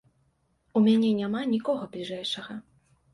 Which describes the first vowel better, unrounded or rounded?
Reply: rounded